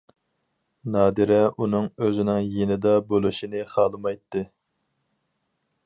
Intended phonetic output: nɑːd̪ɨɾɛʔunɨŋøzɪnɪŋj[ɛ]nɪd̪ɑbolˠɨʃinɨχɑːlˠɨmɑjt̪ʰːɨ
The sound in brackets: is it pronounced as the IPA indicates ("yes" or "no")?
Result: no